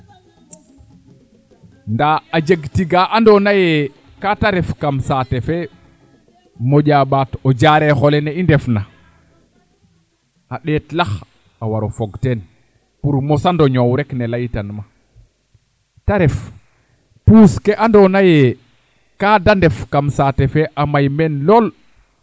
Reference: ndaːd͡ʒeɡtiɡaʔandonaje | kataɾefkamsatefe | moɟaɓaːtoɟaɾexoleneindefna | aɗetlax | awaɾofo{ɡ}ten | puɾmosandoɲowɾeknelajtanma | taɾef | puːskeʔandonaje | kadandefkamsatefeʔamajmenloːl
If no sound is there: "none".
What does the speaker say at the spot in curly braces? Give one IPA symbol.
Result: ɡ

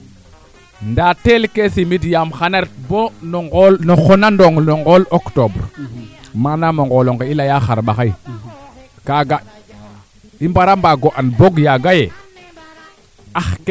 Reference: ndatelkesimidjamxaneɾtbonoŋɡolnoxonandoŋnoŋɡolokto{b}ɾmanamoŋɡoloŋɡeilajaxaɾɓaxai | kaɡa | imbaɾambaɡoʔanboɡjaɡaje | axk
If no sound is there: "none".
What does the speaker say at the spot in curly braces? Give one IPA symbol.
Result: b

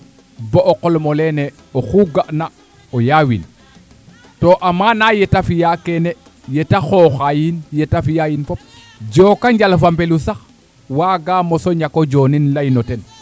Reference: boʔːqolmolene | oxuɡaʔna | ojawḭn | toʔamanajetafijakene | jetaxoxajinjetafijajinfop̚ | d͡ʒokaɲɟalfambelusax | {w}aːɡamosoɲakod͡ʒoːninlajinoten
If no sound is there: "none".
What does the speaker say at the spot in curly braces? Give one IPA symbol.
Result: w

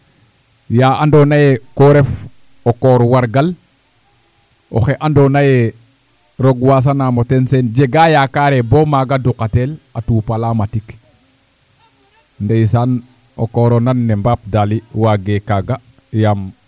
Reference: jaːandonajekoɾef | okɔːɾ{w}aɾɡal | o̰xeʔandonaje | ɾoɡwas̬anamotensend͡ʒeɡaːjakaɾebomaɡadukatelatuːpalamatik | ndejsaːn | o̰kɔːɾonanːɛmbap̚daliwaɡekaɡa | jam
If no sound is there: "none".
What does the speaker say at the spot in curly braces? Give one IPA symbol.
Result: w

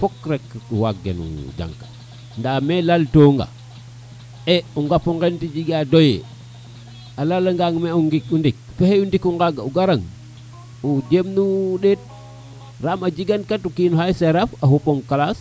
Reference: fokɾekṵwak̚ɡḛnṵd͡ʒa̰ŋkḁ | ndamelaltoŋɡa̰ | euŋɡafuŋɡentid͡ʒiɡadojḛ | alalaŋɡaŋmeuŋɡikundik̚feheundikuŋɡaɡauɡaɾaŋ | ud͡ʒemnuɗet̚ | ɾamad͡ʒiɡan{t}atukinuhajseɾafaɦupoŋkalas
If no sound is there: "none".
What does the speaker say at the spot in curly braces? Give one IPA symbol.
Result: k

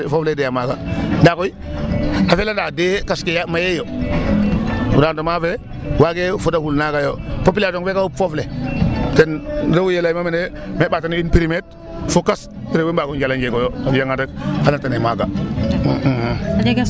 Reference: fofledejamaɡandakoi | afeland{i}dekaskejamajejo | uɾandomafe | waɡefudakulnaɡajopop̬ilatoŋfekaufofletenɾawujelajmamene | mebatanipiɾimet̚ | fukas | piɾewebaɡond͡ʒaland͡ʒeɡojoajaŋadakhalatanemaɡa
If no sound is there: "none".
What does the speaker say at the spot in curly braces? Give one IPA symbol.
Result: a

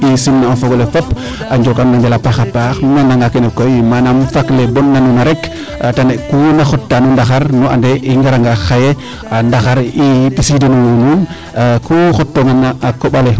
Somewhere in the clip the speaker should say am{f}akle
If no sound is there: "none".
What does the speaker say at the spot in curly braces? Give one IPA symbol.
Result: f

